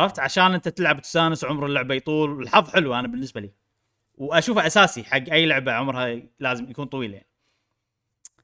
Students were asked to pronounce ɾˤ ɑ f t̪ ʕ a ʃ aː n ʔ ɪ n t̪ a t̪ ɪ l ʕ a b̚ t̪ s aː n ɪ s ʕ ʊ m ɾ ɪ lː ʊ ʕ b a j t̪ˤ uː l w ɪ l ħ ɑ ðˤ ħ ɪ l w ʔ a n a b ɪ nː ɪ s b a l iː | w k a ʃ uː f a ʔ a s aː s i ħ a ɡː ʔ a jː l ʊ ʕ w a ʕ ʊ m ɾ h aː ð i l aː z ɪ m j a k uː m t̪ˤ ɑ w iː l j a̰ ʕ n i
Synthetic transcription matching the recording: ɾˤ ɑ f t̪ ʕ a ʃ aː n ʔ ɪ n t̪ a t̪ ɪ l ʕ a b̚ t̪ s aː n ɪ s ʕ ʊ m ɾ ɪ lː ʊ ʕ b a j t̪ˤ uː l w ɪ l ħ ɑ ðˤ ħ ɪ l w ʔ a n a b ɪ nː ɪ s b a l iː | w ʔ a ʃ uː f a ʔ a s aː s i ħ a ɡː ʔ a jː l ʊ ʕ b a ʕ ʊ m ɾ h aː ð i l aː z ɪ m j a k uː n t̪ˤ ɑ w iː l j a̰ ʕ n i